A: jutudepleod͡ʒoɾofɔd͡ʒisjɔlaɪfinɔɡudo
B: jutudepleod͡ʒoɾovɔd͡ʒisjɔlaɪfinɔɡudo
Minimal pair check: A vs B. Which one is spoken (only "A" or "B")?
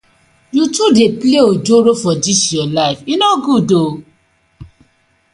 A